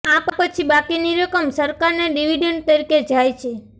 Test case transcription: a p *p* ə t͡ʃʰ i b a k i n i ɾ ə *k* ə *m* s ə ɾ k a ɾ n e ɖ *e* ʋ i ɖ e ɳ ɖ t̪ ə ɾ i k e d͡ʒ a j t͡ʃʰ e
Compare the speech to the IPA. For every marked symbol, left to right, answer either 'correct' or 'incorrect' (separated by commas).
correct, correct, correct, incorrect